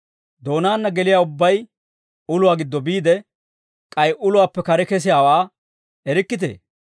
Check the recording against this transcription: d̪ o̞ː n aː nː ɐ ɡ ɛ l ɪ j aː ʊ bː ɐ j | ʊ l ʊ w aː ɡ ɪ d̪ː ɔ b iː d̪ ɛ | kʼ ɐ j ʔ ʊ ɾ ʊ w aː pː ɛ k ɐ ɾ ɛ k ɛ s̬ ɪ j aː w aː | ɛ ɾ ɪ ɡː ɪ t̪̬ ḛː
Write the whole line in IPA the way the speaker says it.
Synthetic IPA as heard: d̪ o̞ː n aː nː ɐ ɡ ɛ l ɪ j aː ʊ bː ɐ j | ʊ l ʊ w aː ɡ ɪ d̪ː ɔ b iː d̪ ɛ | kʼ ɐ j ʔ ʊ l ʊ w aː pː ɛ k ɐ ɾ ɛ k ɛ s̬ ɪ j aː w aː | ɛ ɾ ɪ kː ɪ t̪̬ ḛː